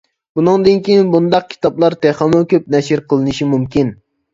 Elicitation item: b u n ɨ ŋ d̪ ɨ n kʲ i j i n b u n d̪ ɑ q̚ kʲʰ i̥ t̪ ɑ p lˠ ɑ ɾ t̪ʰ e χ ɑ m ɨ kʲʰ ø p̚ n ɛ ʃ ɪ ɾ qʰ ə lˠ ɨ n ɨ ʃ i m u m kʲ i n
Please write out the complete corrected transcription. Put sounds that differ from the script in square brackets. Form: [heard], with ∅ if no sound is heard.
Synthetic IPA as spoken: b u n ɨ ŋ d̪ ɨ n kʲ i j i n b u n d̪ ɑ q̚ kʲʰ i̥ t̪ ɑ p lˠ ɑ ɾ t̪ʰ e χ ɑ m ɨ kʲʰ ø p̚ n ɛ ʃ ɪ ɾ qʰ ə lˠ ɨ n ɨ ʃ i m u m kʲ i n